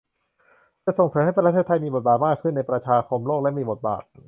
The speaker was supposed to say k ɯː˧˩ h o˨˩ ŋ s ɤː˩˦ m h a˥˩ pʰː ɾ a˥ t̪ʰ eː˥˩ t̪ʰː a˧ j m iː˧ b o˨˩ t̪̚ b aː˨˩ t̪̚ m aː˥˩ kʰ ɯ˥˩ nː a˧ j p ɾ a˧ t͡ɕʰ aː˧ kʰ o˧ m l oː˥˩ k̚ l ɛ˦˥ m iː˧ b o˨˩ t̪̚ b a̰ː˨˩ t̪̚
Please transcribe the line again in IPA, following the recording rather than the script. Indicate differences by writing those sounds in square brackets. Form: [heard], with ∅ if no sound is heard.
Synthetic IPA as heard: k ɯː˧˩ [s] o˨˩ ŋ s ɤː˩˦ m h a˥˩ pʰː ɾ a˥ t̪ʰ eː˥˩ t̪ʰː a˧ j m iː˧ b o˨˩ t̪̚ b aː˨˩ t̪̚ m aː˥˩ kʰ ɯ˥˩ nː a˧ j p ɾ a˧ t͡ɕʰ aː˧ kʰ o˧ m l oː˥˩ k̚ l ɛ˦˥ m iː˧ b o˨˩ t̪̚ b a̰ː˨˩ t̪̚